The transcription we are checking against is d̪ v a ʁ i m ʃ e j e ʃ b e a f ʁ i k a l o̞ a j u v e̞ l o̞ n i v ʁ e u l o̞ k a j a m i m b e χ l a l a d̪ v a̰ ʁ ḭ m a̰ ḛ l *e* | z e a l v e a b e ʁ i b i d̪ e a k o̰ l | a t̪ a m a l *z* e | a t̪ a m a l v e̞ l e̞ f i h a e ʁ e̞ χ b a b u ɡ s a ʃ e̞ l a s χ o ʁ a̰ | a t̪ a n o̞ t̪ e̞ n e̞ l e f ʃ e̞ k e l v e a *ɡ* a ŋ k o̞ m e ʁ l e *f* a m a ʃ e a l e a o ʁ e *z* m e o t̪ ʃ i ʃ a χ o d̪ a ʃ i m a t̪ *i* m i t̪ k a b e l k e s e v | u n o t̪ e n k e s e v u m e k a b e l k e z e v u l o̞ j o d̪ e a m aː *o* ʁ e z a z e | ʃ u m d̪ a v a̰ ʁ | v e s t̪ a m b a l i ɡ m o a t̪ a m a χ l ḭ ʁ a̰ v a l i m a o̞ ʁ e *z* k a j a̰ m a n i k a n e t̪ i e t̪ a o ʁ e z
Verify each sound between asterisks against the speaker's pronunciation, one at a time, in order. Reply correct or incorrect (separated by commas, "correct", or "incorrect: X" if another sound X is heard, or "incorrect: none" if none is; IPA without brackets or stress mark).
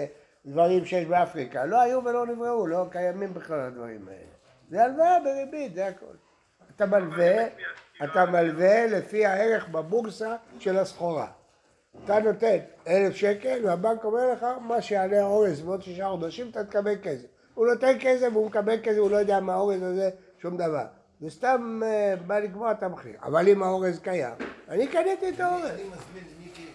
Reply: correct, incorrect: v, incorrect: b, incorrect: χ, correct, incorrect: a, correct, correct